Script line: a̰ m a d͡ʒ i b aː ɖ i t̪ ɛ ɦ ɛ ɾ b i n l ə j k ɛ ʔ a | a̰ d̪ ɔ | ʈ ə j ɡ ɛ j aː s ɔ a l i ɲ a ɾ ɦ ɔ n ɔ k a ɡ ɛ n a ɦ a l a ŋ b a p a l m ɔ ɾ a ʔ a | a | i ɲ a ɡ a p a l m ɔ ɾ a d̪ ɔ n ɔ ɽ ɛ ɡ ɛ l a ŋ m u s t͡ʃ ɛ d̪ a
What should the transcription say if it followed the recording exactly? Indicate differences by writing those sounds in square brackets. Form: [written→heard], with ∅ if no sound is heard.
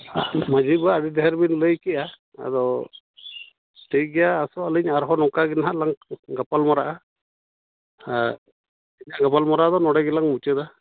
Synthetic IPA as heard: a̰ m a d͡ʒ i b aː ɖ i [t̪→d̪] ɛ ɦ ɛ ɾ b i n l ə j k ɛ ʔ a | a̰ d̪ ɔ | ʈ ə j ɡ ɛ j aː s ɔ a l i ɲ a ɾ ɦ ɔ n ɔ k a ɡ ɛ n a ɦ a l a ŋ [b→ɡ] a p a l m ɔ ɾ a ʔ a | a | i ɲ a ɡ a p a l m ɔ ɾ a d̪ ɔ n ɔ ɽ ɛ ɡ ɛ l a ŋ m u [s→∅] t͡ʃ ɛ d̪ a